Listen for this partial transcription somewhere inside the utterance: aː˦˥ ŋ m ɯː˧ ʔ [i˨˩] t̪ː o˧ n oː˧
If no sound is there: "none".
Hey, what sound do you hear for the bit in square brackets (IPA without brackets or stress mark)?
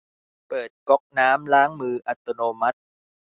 a˨˩